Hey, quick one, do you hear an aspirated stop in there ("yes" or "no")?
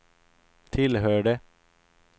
yes